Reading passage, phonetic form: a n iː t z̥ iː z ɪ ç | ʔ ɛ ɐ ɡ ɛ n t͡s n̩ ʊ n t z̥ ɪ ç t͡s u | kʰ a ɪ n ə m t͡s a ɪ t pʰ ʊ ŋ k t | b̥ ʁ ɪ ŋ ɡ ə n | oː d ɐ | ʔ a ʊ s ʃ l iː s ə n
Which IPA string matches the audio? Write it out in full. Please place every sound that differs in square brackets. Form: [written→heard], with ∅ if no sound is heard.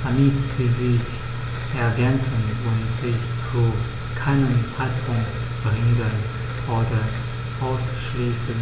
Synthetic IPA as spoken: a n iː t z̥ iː z ɪ ç | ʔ ɛ ɐ ɡ ɛ n t͡s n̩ ʊ n t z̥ ɪ ç t͡s u | kʰ a ɪ n ə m t͡s a ɪ t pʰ ʊ ŋ k t | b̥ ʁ ɪ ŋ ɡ ə n | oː d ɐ | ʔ a ʊ s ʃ l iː s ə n